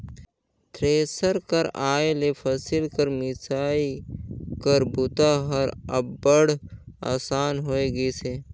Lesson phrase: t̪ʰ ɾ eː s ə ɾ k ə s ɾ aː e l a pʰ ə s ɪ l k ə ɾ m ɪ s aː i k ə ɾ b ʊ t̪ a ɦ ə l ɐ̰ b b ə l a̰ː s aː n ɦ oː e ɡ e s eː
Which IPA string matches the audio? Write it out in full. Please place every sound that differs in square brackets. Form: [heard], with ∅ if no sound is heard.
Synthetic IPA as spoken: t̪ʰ ɾ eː s ə ɾ k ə [∅] ɾ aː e l [e] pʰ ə s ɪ l k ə ɾ m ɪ s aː i k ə ɾ b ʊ t̪ a ɦ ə [ɾ] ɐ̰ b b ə [ɽ] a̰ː s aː n ɦ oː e ɡ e s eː